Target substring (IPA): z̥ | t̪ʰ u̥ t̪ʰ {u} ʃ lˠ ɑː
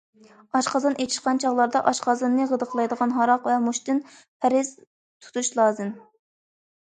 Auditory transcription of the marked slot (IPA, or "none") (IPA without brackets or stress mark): u